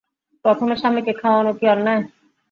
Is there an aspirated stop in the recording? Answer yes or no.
yes